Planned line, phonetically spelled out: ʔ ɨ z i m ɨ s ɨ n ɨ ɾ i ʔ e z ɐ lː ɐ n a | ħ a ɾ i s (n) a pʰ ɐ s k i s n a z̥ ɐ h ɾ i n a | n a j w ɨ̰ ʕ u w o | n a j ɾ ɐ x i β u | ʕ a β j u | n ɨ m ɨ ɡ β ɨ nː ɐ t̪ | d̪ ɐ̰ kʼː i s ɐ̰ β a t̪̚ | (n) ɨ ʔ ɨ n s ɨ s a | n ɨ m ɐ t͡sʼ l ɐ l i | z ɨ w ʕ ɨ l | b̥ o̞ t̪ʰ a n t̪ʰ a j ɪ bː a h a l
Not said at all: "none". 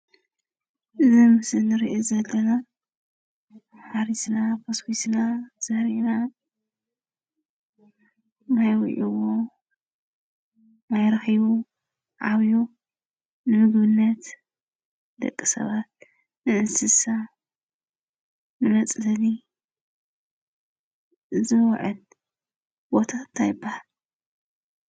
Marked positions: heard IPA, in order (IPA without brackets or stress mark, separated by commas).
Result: n, n